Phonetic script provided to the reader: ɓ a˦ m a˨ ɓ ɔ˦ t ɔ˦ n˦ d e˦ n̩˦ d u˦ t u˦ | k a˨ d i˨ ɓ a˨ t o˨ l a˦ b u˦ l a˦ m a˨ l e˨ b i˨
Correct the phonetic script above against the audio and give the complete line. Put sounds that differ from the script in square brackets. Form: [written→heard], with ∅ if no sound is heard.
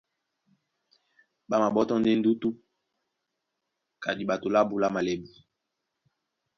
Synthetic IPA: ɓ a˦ m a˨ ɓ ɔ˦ t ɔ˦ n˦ d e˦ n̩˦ d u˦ t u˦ | k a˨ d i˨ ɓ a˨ t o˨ l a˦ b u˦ l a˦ m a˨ l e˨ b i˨